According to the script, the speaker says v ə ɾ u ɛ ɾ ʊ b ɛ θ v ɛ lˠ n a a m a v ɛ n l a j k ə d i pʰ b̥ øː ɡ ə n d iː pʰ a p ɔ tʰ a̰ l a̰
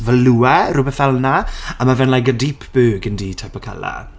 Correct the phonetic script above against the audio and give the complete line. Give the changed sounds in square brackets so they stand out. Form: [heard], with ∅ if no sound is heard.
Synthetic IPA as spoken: v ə [l] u ɛ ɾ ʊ b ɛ θ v ɛ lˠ n a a m a v ɛ n l a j k ə d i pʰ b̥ øː ɡ ə n d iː [tʰ] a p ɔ [kʰ] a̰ l a̰

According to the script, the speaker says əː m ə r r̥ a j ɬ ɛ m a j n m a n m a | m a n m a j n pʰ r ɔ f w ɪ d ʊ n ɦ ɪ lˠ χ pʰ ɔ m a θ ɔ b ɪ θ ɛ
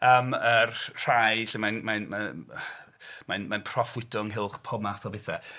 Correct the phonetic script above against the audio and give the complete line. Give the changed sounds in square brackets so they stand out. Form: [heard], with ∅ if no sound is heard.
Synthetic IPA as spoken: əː m ə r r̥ a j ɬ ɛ m a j n m a n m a | m a n m a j n pʰ r ɔ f w ɪ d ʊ [ŋ] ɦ ɪ lˠ χ pʰ ɔ m a θ ɔ b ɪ θ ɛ

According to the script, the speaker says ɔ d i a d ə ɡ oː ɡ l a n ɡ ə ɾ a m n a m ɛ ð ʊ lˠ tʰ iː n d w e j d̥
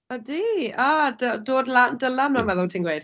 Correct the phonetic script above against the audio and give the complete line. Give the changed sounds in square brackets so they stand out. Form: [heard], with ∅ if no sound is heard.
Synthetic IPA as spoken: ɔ d i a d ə [d] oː [d] l a n [d] ə [l] a m n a m ɛ ð ʊ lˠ tʰ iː n [ɡ] w e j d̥

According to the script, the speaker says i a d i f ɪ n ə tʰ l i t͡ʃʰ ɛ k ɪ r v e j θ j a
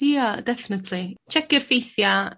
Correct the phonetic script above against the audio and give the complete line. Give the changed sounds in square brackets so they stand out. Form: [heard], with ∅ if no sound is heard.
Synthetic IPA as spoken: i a d [ɛ] f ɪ n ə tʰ l i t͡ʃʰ ɛ k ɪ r [f] e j θ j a

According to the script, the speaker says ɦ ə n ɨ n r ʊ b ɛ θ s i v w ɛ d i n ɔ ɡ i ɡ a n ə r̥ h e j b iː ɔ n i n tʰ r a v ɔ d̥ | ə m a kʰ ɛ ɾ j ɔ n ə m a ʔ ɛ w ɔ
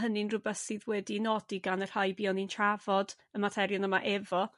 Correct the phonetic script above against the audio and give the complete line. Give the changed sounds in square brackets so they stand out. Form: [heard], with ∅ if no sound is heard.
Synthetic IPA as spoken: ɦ ə n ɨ n r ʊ b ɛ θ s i [ð] w ɛ d i n ɔ [d] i ɡ a n ə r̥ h [a] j b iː ɔ n i n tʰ r a v ɔ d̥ | ə m a [tʰ] ɛ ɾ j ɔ n ə m a ʔ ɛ [v] ɔ

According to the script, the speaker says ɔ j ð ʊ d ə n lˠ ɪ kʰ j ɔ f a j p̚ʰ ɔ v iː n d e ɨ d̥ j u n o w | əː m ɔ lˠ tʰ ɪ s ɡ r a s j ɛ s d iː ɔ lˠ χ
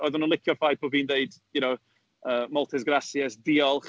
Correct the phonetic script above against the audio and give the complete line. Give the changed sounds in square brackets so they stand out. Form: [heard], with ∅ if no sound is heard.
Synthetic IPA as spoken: ɔ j ð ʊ [n] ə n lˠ ɪ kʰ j ɔ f a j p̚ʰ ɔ v iː n d e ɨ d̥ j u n o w | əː m ɔ lˠ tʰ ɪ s ɡ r a s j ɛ s d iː ɔ lˠ χ

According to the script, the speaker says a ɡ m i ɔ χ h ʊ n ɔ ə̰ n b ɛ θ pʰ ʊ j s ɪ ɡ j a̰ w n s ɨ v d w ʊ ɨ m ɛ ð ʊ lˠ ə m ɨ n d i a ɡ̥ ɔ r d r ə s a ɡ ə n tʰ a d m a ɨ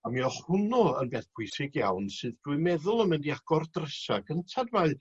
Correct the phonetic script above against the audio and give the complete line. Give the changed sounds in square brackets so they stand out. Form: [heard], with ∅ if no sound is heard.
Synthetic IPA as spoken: a [∅] m i ɔ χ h ʊ n ɔ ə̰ n b ɛ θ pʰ ʊ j s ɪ ɡ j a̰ w n s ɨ [ð] d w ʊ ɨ m ɛ ð ʊ lˠ ə m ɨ n d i a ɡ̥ ɔ r d r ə s a ɡ ə n tʰ a d m a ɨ

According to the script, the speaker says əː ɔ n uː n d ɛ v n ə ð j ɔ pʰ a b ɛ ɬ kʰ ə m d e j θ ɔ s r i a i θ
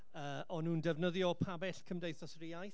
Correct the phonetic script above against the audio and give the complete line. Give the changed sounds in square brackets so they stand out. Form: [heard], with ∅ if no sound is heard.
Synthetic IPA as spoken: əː ɔ n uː n d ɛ v n ə ð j ɔ pʰ a b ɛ ɬ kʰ ə m d e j θ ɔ s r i a [j] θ

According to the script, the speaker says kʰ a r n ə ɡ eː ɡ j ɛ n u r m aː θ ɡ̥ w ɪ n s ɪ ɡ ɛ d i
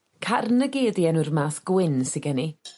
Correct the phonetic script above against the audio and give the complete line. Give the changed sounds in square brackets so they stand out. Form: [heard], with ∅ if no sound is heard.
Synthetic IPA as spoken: kʰ a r n ə ɡ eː [d] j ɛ n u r m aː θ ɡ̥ w ɪ n s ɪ ɡ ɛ [n] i

